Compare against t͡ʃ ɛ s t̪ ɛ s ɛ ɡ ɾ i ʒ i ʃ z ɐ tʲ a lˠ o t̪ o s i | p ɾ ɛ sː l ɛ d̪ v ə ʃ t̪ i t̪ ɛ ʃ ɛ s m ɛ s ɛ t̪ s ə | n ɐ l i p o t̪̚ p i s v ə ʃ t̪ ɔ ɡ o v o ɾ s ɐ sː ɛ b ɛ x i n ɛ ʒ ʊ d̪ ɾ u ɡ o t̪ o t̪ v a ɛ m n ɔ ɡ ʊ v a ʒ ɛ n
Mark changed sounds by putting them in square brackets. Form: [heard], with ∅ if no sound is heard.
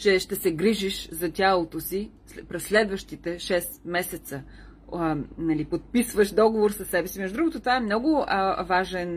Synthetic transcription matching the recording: t͡ʃ ɛ [ʃ] t̪ ɛ s ɛ ɡ ɾ i ʒ i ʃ z ɐ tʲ a lˠ o t̪ o s i | p ɾ ɛ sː l ɛ d̪ v ə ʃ t̪ i t̪ ɛ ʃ ɛ s m ɛ s ɛ t̪ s ə | n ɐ l i p o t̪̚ p i s v ə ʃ [d̪] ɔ ɡ o v o ɾ s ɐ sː ɛ b ɛ [s] i [m] ɛ ʒ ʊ d̪ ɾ u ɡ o t̪ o t̪ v a ɛ m n ɔ ɡ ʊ v a ʒ ɛ n